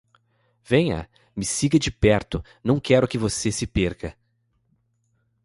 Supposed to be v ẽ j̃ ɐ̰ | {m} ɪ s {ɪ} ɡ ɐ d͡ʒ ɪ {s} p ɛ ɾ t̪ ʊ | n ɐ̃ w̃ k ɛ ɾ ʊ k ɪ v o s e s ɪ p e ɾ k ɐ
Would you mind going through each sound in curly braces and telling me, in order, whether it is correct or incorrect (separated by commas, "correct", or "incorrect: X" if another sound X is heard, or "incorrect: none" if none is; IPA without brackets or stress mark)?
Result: correct, incorrect: i, incorrect: none